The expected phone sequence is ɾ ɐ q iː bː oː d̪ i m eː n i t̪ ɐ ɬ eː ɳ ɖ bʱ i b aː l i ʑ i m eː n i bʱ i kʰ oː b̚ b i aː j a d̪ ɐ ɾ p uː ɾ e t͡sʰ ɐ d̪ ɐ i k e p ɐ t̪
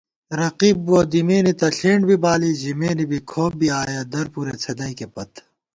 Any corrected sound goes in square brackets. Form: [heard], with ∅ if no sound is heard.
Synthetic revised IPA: ɾ ɐ q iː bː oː d̪ i m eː n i t̪ ɐ ɬ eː ɳ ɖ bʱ i b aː l i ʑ i m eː n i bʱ i kʰ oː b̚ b i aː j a d̪ ɐ ɾ p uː ɾ e t͡sʰ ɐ d̪ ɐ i k e p ɐ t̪

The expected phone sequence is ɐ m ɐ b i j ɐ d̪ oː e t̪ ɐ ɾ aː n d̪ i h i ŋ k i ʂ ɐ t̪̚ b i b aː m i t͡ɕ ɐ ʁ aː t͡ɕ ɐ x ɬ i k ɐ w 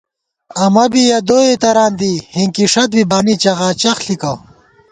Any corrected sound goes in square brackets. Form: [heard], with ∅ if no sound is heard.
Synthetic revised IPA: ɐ m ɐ b i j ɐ d̪ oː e t̪ ɐ ɾ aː n d̪ i h i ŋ k i ʂ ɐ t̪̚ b i b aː [n] i t͡ɕ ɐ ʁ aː t͡ɕ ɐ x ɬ i k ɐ w

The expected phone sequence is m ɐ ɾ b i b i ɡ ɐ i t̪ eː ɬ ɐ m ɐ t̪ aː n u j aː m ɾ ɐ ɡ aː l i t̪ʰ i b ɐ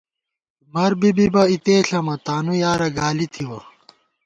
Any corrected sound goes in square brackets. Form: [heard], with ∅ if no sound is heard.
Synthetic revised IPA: m ɐ ɾ b i b i [b] ɐ i t̪ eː ɬ ɐ m ɐ t̪ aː n u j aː [∅] ɾ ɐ ɡ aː l i t̪ʰ i [w] ɐ

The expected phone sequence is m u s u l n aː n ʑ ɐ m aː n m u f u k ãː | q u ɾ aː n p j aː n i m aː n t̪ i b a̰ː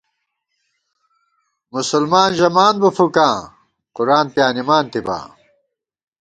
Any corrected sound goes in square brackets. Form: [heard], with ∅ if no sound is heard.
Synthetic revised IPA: m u s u l [m] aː n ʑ ɐ m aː n [b] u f u k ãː | q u ɾ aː n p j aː n i m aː n t̪ i b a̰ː

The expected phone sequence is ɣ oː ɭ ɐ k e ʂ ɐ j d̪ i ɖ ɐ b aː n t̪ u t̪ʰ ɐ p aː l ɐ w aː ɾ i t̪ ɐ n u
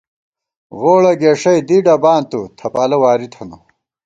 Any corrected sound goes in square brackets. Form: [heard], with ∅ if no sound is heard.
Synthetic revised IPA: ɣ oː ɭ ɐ [ɡ] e ʂ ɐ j d̪ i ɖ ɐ b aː n t̪ u t̪ʰ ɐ p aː l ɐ w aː ɾ i [t̪ʰ] ɐ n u

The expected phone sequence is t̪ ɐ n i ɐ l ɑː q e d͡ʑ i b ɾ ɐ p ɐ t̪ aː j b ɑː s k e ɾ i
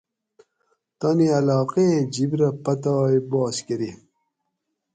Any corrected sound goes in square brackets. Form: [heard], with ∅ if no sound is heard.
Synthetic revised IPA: t̪ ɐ n i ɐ l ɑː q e d͡ʑ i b ɾ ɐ p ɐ t̪ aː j b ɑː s k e ɾ i

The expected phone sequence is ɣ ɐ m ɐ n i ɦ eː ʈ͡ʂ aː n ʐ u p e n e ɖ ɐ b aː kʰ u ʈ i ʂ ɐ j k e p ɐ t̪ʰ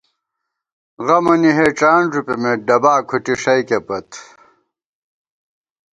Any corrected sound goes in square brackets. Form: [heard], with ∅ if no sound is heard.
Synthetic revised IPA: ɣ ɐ m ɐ n i ɦ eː ʈ͡ʂ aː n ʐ u p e [m] e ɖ ɐ b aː kʰ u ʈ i ʂ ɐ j k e p ɐ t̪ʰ

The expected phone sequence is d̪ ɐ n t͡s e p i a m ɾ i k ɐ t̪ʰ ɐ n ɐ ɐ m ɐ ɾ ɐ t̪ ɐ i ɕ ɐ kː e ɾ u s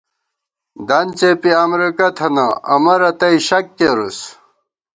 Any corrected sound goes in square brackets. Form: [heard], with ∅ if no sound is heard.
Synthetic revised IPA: d̪ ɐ n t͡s e p i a m ɾ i k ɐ t̪ʰ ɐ n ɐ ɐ m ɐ ɾ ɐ t̪ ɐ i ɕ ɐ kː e ɾ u s

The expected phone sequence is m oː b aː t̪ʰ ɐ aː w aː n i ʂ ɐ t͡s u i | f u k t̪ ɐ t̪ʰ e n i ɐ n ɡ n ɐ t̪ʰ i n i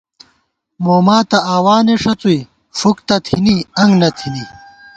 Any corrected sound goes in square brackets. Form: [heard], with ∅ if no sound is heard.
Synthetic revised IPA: m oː [m] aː [t̪] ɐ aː w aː n [e] ʂ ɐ t͡s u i | f u k t̪ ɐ t̪ʰ [i] n i ɐ [ŋ] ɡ n ɐ t̪ʰ i n i

